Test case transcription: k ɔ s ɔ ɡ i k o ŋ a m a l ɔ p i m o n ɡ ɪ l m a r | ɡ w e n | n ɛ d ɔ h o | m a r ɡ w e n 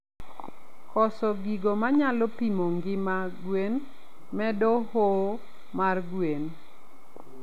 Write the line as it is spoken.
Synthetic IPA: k ɔ s ɔ ɡ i ɡ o m a ɲ a l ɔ p i m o ŋ ɡ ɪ m a | ɡ w e n | m ɛ d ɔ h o | m a r ɡ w e n